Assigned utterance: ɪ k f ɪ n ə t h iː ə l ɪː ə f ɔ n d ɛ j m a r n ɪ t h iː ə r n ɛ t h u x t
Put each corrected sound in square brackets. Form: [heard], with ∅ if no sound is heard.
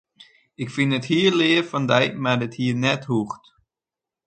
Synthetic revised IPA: ɪ k f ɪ n ə t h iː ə l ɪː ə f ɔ n d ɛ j m a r [d] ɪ t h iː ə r n ɛ t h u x t